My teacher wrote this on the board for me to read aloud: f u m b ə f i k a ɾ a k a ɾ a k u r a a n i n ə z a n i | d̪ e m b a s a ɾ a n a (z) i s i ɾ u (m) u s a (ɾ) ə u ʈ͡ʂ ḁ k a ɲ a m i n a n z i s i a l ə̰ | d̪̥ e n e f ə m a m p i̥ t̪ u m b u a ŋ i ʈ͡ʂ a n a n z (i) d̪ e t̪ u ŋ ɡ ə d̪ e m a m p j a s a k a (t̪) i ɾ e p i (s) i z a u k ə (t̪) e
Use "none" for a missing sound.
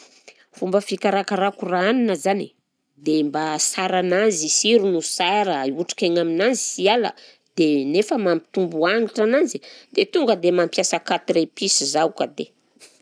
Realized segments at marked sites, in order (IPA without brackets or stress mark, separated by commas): z, n, ɾ, i, t̪, s, d̪